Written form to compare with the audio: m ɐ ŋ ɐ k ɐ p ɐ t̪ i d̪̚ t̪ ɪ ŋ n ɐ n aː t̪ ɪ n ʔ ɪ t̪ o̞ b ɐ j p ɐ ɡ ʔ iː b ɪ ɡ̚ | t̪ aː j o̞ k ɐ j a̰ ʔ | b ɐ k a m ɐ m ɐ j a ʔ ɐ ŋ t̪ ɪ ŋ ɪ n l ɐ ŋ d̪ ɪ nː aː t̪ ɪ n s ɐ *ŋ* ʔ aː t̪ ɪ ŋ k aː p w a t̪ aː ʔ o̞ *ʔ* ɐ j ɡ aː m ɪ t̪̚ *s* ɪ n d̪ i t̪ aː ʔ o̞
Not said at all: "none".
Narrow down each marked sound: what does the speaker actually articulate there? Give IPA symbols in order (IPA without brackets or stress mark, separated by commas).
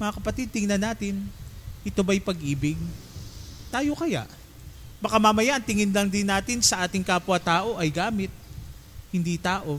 none, ʔ, h